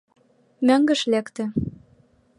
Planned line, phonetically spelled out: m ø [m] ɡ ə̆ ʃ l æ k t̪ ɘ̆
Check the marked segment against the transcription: incorrect: ŋ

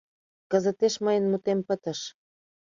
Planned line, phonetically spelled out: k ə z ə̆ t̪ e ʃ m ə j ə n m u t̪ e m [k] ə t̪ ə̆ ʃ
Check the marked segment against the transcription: incorrect: p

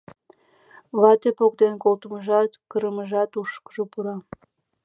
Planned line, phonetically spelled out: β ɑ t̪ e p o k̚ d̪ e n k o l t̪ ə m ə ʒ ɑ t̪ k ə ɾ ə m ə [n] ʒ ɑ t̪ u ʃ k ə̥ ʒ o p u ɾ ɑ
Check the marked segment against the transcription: incorrect: none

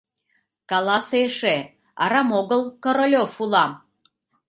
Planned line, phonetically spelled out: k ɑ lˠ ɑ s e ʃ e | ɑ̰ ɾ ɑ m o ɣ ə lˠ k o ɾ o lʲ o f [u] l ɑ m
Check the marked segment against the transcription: correct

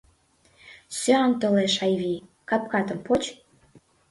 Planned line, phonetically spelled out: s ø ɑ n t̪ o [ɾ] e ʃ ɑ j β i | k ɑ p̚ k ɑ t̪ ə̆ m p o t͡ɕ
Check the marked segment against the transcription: incorrect: l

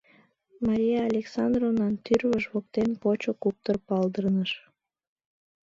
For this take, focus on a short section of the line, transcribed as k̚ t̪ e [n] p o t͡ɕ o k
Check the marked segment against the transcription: correct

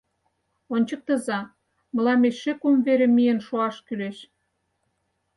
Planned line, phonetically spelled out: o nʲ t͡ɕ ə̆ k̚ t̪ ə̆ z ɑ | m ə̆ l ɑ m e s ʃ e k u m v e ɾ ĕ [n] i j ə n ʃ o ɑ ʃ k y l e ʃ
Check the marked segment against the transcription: incorrect: m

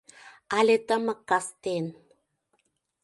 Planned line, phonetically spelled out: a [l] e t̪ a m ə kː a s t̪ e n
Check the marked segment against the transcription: correct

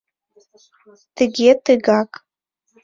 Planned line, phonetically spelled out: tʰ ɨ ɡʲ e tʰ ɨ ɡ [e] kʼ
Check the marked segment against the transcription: incorrect: a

